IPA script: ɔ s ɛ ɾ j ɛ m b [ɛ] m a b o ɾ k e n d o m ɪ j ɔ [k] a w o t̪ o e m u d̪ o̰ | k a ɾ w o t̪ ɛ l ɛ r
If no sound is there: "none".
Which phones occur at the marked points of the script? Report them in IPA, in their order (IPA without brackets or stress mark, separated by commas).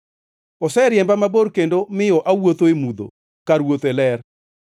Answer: a, ʔ